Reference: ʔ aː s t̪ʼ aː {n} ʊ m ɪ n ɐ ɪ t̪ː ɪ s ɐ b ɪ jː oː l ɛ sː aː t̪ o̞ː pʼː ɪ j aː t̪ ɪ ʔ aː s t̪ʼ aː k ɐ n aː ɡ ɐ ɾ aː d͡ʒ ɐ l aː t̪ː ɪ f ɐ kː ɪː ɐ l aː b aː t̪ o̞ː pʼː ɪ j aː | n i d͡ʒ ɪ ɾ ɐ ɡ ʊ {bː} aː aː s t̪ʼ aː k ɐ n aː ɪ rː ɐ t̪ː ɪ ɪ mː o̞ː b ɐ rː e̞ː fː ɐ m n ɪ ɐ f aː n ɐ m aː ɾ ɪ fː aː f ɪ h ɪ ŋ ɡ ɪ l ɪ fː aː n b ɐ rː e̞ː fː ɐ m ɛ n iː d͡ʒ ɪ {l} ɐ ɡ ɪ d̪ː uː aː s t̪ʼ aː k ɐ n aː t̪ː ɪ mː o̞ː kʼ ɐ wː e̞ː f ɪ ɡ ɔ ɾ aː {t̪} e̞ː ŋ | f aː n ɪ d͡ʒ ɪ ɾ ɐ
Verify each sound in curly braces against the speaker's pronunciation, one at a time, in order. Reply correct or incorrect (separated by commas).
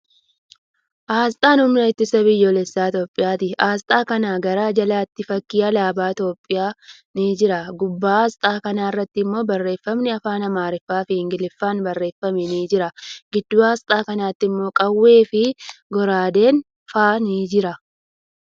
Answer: correct, correct, incorrect, incorrect